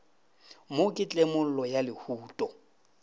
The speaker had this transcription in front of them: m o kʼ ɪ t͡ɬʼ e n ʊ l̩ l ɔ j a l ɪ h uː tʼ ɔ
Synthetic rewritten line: m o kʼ ɪ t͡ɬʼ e m ʊ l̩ l ɔ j a l ɪ h uː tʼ ɔ